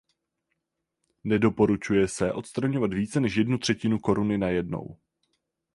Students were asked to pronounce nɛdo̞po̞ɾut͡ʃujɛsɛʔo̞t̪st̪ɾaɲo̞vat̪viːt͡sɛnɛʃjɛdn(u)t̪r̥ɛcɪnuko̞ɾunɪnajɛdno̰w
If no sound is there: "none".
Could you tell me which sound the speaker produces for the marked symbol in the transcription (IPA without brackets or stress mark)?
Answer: u